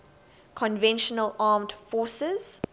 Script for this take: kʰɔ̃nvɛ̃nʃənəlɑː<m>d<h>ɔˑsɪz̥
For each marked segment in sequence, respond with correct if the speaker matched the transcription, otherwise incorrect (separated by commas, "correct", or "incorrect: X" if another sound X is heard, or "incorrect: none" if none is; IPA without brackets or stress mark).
correct, incorrect: f